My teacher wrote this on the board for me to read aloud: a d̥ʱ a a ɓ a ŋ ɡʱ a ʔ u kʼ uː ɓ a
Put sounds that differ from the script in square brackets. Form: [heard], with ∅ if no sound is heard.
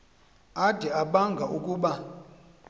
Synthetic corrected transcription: a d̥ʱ [ɛ] a ɓ a ŋ ɡʱ a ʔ u kʼ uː ɓ a

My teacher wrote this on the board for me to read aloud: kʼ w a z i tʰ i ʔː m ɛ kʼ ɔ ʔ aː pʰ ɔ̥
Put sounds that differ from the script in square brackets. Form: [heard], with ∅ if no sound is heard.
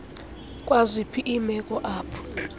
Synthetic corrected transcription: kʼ w a z i [pʰ] i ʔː m ɛ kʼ ɔ ʔ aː pʰ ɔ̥

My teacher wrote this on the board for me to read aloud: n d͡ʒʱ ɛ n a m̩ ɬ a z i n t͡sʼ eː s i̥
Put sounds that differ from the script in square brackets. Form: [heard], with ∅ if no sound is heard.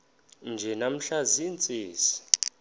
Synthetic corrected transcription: n d͡ʒʱ ɛ n a m̩ ɬ a z i n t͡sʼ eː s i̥

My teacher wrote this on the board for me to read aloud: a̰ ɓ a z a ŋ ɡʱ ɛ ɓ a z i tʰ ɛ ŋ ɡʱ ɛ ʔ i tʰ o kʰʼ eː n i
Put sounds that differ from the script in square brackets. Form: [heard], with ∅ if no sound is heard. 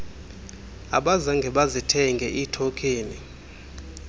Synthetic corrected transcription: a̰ ɓ a z a ŋ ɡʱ ɛ ɓ a z i tʰ ɛ ŋ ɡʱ ɛ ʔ i tʰ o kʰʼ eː n i

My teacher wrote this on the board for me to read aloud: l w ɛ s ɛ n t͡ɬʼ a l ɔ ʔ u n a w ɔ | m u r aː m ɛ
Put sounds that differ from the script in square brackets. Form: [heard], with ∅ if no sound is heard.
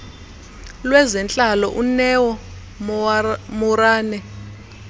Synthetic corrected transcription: l w ɛ [z] ɛ n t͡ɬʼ a l ɔ ʔ u n [ɛ] w ɔ | m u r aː [n] ɛ

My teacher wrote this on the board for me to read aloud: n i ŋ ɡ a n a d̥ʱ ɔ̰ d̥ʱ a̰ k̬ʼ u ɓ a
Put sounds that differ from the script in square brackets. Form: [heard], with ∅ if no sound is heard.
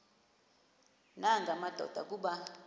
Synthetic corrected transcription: n [a] ŋ ɡ a [m] a d̥ʱ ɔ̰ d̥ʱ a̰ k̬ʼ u ɓ a

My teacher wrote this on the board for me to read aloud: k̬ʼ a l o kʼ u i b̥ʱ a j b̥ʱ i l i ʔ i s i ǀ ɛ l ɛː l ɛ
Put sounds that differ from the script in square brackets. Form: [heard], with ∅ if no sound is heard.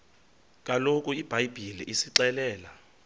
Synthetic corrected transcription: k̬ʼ a l o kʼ u i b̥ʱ a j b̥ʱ i l i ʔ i s i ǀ ɛ l ɛː l [a]

